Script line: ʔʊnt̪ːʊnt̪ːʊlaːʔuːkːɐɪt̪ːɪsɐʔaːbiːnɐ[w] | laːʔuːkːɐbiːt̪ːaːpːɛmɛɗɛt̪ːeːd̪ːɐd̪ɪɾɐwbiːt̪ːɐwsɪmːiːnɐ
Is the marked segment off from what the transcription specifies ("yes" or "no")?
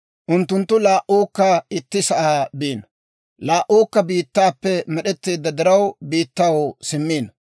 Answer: yes